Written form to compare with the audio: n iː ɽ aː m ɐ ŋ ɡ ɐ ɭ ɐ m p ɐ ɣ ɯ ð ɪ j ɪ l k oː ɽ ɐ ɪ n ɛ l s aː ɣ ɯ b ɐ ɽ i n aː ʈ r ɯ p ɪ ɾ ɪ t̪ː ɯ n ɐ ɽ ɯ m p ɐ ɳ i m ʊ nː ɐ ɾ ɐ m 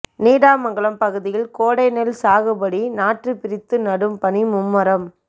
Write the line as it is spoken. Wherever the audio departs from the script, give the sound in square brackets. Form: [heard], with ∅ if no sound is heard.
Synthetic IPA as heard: n iː ɽ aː m ɐ ŋ ɡ ɐ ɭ ɐ m p ɐ ɣ ɯ ð ɪ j ɪ l k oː ɽ ɐ ɪ n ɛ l s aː ɣ ɯ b ɐ ɽ i n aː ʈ r ɯ p ɪ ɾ ɪ t̪ː ɯ n ɐ ɽ ɯ m p ɐ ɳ i m ʊ [mː] ɐ ɾ ɐ m